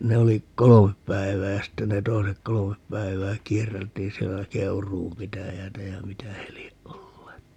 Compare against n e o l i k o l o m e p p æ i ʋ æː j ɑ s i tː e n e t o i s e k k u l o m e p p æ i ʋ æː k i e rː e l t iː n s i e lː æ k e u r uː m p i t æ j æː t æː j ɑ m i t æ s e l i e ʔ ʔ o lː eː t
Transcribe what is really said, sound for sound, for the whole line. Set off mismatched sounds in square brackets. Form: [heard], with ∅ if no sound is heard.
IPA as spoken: n e o l i k o l o m e p p æ i ʋ æː j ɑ s i tː e n e t o i s e k k [o] l o m e p p æ i ʋ æː k i e rː e l t iː n s i e lː æ k e u r uː m p i t æ j æː t [æ] j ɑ m i t æ [h] e l i e ʔ ʔ o lː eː t

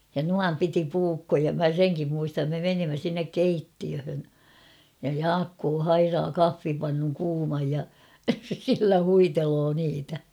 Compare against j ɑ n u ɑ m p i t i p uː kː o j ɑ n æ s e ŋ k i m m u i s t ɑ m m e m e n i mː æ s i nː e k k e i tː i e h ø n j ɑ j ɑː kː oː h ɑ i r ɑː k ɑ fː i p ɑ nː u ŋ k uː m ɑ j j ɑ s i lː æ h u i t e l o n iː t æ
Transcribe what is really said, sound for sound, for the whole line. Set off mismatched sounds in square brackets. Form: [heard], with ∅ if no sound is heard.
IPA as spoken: j ɑ n u ɑ m p i t i p uː kː o j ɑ [m] æ s e ŋ k i m m u i s t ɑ m m e m e n i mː æ s i nː e k k e i tː i [ø] h ø n j ɑ j ɑː kː oː h ɑ i r ɑː k ɑ fː i p ɑ nː u ŋ k uː m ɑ j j ɑ s i lː æ h u i t e l o n iː t æ

